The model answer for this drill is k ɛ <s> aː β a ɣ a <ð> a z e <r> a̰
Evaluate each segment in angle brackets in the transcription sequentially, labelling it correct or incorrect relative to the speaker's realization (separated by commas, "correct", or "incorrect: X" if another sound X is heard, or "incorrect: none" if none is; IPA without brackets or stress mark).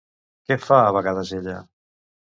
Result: incorrect: f, correct, incorrect: ʎ